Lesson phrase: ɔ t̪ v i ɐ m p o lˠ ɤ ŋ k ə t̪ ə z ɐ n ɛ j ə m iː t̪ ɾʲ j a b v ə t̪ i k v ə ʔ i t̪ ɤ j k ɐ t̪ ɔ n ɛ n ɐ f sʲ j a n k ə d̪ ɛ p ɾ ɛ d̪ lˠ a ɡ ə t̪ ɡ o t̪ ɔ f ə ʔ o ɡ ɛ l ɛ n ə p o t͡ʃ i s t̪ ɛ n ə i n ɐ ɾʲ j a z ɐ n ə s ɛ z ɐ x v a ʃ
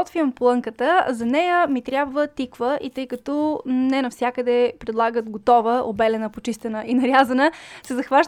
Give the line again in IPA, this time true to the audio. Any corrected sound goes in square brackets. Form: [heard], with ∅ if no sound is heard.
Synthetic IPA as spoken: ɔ t̪ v i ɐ m p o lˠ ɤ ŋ k ə t̪ ə z ɐ n ɛ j ə m [i] t̪ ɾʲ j a b v ə t̪ i k v ə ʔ i t̪ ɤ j k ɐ t̪ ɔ n ɛ n ɐ f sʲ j a [∅] k ə d̪ ɛ p ɾ ɛ d̪ lˠ a ɡ ə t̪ ɡ o t̪ ɔ [v] ə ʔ o [b] ɛ l ɛ n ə p o t͡ʃ i s t̪ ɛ n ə i n ɐ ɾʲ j a z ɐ n ə s ɛ z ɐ x v a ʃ